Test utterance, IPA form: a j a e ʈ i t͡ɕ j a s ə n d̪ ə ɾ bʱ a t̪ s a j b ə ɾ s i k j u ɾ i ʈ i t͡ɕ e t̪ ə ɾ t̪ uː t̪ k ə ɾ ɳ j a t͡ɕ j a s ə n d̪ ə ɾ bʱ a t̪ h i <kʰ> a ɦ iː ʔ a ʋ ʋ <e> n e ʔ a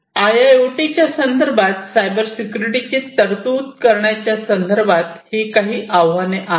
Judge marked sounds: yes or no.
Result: no, no

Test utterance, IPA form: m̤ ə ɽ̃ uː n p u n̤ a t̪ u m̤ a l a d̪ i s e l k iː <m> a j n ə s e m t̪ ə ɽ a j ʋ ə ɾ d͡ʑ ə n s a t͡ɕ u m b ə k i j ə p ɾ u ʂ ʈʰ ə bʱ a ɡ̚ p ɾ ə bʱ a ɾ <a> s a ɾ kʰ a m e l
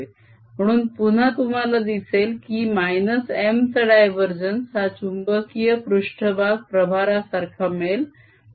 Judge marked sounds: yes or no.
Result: yes, yes

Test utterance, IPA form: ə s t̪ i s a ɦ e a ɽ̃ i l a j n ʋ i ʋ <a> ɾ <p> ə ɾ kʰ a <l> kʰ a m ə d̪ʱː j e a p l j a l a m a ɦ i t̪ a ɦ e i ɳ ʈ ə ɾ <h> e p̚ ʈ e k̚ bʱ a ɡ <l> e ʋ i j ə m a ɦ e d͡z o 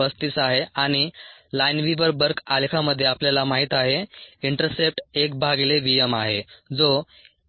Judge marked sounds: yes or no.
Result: no, no, yes, no, yes

